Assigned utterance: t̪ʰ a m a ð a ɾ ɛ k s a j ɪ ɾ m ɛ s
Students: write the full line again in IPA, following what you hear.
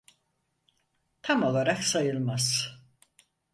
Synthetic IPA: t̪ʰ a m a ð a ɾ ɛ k s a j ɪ l m a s